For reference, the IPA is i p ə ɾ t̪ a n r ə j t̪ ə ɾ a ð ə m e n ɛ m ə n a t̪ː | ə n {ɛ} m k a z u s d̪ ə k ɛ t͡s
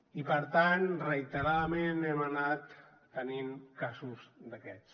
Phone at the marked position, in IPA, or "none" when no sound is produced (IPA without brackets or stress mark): i